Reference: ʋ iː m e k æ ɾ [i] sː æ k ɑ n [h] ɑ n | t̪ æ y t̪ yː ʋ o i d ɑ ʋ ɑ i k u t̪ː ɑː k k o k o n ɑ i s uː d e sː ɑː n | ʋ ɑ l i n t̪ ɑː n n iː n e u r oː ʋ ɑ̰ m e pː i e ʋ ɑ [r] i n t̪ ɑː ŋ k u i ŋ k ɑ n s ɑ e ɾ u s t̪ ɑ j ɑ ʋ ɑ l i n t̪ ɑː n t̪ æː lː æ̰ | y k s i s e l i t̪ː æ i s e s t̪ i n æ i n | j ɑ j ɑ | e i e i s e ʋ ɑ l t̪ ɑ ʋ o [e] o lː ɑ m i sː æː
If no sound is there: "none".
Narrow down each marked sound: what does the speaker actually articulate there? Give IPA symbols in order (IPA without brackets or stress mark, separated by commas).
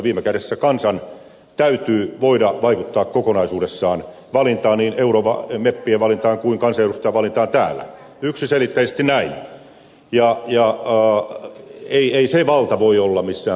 e, s, l, i